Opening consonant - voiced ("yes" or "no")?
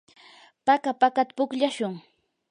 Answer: no